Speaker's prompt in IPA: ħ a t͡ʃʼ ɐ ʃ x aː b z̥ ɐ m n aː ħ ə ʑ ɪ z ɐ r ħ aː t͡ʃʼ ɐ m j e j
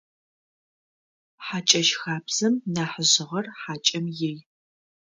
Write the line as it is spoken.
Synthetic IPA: ħ a t͡ʃʼ ɐ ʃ x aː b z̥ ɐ m n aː ħ ə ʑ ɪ ʁ ɐ r ħ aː t͡ʃʼ ɐ m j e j